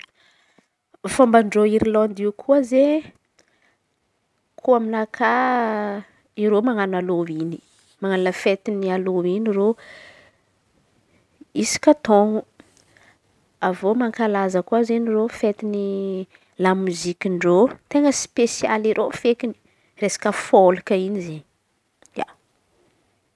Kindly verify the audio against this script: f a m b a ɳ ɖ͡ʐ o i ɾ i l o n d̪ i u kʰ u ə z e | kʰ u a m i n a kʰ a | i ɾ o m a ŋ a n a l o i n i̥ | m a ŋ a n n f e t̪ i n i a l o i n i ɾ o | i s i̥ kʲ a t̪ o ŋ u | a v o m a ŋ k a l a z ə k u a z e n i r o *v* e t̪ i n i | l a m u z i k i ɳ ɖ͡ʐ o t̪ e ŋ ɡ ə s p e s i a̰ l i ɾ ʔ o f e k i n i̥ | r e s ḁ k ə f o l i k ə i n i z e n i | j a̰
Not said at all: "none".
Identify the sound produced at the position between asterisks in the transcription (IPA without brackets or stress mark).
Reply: f